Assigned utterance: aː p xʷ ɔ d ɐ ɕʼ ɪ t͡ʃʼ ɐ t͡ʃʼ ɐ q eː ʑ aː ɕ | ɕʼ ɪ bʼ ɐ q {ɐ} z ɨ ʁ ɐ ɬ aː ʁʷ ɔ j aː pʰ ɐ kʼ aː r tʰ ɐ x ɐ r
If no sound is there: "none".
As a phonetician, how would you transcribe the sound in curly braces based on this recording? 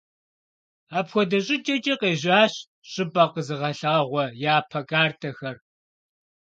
ə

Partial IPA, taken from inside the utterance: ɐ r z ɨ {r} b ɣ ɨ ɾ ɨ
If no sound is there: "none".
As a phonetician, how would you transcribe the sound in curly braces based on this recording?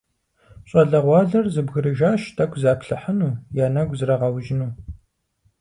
none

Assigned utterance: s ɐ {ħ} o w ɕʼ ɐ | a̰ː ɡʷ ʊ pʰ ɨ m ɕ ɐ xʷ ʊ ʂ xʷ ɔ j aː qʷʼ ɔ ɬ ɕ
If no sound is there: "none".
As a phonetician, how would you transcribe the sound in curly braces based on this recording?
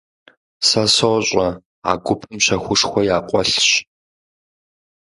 s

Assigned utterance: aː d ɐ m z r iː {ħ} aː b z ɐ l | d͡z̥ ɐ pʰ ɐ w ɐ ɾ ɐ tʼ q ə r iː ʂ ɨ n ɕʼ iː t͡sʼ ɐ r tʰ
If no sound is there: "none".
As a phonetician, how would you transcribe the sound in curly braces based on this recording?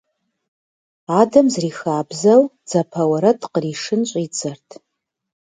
x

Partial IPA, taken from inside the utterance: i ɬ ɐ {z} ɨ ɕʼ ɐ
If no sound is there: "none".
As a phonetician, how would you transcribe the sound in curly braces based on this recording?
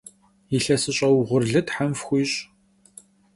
s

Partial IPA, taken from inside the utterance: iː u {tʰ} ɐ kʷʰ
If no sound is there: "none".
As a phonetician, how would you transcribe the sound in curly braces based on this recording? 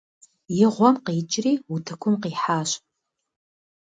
tʰ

